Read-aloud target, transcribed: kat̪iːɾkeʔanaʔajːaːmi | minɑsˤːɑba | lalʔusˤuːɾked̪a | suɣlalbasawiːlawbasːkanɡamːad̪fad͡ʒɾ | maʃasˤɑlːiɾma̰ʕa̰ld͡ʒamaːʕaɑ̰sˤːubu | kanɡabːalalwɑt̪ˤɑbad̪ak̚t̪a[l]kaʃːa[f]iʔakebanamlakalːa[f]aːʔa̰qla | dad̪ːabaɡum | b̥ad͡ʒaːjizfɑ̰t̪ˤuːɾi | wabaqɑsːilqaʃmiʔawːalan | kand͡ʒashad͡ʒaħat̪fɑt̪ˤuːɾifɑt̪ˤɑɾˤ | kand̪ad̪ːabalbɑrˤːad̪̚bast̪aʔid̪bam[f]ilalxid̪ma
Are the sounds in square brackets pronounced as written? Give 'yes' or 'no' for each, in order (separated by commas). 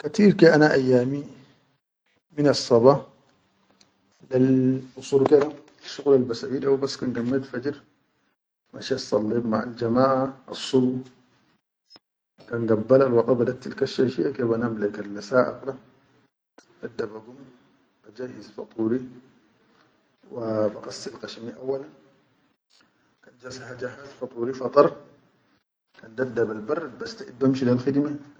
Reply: yes, no, no, no